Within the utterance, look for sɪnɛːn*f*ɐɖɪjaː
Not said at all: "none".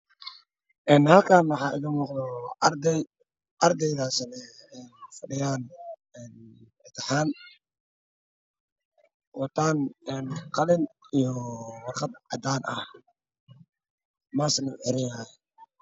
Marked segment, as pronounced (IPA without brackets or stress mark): f